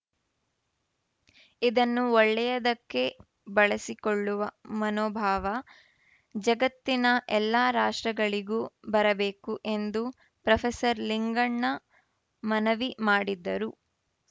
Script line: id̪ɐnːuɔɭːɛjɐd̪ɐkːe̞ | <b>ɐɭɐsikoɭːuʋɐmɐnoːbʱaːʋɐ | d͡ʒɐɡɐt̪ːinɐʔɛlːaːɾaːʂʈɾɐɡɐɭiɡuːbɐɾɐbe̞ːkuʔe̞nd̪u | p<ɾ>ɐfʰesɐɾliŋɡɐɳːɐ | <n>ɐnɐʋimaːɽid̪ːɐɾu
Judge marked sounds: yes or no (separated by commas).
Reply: yes, yes, no